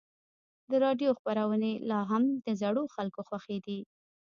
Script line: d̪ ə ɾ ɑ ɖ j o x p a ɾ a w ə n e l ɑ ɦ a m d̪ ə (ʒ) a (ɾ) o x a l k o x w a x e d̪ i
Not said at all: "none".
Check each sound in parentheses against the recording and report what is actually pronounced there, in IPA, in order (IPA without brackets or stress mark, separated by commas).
z, ɽ